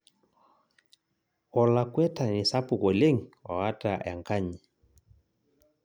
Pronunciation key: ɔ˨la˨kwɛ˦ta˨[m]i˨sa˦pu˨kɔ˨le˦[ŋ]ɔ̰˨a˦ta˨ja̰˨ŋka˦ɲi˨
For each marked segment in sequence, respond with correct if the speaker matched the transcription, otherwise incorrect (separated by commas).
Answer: incorrect, correct